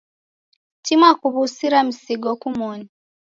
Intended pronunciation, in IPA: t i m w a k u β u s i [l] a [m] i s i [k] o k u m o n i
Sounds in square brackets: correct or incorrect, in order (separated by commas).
incorrect, correct, incorrect